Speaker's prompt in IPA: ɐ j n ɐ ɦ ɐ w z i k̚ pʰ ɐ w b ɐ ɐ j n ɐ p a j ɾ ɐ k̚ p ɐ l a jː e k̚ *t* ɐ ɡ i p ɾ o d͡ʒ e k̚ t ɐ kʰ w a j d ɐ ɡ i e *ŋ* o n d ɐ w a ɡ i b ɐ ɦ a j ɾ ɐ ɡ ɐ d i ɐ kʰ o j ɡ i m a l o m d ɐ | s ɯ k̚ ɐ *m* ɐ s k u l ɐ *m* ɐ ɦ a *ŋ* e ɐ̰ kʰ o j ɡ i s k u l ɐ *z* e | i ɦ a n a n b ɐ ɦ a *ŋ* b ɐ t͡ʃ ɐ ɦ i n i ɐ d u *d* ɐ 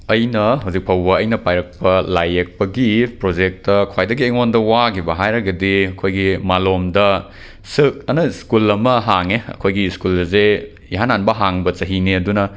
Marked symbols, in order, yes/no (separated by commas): no, yes, no, yes, yes, yes, yes, no